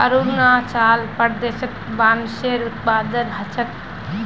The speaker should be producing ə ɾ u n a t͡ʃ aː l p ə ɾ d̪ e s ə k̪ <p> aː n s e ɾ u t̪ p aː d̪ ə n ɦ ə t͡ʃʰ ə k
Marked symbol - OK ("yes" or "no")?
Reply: no